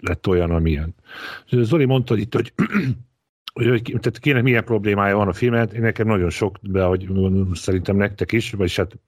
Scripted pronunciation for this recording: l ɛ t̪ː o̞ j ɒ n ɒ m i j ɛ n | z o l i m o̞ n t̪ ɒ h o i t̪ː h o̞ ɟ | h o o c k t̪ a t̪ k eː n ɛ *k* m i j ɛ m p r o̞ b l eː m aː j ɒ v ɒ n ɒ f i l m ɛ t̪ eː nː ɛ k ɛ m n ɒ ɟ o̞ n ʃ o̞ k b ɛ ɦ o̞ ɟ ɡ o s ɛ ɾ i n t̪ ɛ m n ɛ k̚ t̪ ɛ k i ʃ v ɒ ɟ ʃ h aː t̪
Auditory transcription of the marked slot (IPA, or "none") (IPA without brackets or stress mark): k